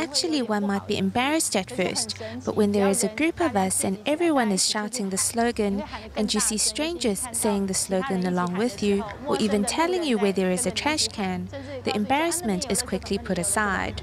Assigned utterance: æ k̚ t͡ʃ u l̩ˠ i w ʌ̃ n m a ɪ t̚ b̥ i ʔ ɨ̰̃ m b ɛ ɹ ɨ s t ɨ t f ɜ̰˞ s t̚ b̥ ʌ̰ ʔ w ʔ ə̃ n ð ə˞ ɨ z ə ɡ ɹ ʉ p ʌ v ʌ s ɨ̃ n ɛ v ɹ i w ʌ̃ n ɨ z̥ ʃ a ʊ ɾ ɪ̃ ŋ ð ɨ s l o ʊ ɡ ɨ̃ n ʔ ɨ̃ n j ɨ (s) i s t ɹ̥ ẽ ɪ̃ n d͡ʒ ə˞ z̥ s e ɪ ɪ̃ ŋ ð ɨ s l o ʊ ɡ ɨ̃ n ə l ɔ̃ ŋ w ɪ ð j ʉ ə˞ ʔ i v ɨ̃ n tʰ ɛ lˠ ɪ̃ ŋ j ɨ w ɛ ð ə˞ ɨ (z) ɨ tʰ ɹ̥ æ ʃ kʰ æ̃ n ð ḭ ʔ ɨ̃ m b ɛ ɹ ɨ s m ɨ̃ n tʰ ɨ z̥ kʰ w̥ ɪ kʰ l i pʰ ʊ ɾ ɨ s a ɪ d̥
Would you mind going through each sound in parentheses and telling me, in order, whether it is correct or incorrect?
correct, correct

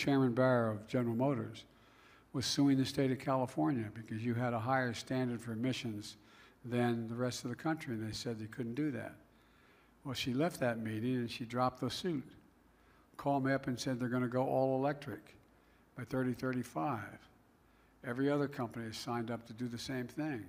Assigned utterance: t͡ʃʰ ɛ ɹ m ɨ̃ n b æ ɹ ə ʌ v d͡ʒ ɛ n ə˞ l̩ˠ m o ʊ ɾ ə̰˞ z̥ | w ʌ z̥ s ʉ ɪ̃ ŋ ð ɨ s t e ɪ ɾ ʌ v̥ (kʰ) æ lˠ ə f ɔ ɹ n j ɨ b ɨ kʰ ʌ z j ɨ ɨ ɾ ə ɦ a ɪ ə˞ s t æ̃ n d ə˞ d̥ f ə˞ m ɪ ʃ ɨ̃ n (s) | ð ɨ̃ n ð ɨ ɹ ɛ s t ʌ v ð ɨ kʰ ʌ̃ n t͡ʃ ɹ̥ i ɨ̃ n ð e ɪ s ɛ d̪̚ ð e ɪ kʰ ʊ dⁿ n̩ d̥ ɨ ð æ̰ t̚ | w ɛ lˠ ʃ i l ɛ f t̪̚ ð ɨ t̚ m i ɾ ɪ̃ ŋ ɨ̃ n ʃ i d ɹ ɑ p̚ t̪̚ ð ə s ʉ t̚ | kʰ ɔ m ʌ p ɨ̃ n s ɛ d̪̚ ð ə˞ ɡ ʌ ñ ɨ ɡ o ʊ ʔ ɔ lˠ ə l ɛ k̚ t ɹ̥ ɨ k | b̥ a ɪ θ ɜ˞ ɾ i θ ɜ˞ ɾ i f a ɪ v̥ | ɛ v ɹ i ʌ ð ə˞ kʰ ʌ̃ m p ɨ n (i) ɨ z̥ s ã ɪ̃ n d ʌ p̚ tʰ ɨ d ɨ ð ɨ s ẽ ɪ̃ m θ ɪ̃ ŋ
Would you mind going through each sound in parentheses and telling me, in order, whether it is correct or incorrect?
correct, incorrect: z, correct

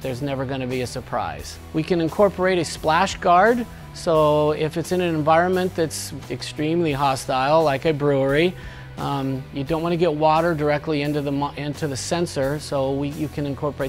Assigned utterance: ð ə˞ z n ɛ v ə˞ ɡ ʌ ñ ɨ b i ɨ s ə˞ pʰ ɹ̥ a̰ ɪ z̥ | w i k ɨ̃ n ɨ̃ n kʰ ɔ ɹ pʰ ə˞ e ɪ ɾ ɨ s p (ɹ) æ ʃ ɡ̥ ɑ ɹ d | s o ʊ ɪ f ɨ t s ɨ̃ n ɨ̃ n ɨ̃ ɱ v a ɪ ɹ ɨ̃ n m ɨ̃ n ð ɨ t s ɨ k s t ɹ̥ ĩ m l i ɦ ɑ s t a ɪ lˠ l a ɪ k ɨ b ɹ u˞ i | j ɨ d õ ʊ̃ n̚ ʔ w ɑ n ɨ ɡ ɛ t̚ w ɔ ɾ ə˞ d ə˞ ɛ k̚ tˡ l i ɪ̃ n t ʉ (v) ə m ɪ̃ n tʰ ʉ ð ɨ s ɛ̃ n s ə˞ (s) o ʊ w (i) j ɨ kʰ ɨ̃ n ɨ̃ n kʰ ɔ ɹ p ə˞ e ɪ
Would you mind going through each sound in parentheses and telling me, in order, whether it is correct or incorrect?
incorrect: l, incorrect: ð, correct, correct

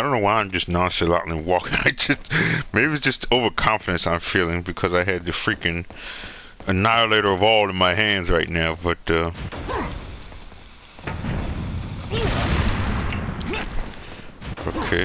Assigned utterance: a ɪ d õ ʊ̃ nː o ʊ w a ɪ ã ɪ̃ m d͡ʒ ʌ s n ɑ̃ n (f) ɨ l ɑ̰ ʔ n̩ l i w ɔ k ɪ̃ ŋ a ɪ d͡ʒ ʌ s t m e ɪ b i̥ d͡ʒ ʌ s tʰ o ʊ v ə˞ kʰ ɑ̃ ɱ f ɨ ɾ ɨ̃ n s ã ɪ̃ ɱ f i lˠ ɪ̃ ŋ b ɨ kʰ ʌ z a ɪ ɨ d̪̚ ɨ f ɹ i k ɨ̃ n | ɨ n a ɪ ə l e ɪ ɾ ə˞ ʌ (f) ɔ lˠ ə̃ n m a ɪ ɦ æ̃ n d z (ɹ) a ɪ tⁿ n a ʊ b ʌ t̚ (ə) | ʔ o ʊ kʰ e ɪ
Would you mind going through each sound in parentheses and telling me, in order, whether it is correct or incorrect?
incorrect: s, incorrect: v, correct, incorrect: ʌ

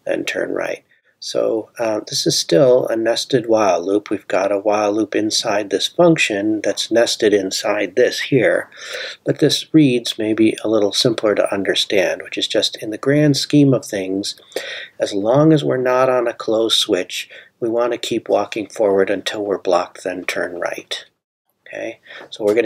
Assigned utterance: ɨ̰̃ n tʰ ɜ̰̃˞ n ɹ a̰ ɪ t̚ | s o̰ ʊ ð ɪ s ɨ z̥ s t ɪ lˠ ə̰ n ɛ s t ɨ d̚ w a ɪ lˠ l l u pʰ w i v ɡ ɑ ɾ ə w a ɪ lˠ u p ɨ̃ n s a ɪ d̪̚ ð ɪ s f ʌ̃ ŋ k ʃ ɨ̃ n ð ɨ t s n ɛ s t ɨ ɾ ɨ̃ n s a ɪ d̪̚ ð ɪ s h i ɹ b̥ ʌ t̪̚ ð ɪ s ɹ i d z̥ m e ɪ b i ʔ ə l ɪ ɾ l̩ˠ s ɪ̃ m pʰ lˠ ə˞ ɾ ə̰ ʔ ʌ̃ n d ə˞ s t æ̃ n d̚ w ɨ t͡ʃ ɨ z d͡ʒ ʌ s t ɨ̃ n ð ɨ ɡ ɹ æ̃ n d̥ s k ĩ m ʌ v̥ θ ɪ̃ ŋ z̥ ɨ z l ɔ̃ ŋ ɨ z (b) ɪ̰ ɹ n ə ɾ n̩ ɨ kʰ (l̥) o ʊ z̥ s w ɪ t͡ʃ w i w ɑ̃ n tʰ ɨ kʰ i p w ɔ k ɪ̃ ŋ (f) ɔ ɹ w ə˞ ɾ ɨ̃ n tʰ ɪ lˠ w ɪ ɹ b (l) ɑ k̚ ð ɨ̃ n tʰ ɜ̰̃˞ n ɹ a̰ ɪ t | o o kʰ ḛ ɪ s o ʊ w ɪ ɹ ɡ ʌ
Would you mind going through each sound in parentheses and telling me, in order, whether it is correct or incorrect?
incorrect: w, correct, correct, correct

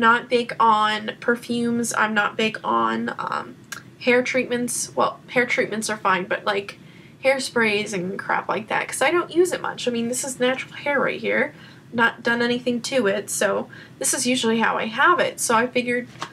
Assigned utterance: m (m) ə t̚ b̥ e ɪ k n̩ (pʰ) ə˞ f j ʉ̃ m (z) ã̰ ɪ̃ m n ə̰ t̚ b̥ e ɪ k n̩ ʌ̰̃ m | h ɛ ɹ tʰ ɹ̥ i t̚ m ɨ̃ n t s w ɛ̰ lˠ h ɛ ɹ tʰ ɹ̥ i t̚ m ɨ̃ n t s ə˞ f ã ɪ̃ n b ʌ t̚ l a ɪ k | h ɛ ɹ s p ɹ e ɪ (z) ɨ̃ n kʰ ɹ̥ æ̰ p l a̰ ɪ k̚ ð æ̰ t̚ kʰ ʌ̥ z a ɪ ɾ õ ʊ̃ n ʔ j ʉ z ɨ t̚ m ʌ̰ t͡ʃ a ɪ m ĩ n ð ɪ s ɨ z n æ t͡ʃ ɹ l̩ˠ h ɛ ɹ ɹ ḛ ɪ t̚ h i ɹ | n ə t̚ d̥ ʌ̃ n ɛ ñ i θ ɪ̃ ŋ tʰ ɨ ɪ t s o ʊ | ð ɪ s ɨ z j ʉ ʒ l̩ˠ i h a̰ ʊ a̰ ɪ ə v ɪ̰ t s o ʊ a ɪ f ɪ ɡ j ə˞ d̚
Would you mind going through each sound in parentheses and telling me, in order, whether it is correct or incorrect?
incorrect: n, correct, correct, correct

